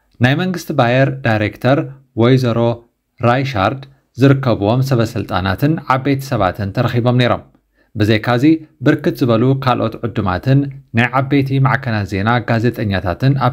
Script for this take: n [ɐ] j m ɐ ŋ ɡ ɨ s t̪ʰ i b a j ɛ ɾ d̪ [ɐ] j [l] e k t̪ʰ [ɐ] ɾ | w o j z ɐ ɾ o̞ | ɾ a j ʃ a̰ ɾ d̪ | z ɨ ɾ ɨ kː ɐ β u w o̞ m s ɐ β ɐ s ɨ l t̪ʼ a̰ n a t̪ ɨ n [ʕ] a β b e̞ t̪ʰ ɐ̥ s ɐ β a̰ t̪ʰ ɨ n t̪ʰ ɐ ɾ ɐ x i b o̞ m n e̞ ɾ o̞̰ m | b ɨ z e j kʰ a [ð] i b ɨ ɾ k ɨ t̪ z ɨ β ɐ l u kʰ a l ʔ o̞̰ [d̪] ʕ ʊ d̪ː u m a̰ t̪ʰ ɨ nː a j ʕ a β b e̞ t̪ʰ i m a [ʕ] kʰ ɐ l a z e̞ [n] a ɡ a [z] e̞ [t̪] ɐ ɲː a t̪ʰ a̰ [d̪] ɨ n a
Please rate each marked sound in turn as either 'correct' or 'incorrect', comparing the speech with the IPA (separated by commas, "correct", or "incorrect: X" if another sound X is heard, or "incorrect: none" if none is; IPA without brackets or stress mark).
incorrect: a, incorrect: a, incorrect: ɾ, correct, correct, incorrect: z, incorrect: t̪, correct, correct, correct, incorrect: t̪ʼ, incorrect: t̪